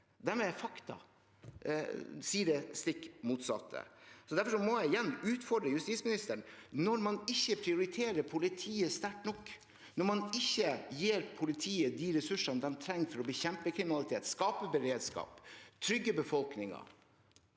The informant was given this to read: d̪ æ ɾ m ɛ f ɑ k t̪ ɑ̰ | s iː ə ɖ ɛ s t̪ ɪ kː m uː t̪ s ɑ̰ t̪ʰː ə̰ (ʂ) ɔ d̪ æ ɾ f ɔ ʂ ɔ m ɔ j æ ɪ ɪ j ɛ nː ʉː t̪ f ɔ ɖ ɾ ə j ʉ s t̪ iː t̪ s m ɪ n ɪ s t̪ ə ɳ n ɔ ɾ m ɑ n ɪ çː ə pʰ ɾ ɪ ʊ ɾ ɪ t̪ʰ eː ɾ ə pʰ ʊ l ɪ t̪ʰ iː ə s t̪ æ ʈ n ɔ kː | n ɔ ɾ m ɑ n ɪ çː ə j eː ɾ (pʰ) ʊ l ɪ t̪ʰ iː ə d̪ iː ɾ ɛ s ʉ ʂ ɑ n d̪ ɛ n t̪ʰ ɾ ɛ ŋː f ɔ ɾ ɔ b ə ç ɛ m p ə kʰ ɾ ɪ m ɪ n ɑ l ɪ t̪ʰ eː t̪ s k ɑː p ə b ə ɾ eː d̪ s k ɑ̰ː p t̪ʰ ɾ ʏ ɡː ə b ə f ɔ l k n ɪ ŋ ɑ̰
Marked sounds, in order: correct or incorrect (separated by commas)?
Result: incorrect, correct